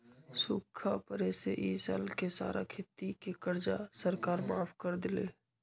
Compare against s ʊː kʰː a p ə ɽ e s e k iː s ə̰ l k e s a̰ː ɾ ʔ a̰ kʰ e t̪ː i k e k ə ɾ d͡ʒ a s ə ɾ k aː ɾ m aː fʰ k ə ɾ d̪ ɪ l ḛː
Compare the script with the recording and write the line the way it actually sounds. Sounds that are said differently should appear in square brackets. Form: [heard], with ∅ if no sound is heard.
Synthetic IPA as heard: s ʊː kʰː a p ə [ɾ] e s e [ʔ] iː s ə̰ l k e s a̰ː ɾ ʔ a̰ kʰ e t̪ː i k e k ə ɾ d͡ʒ a s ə ɾ k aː ɾ m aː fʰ k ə ɾ d̪ ɪ l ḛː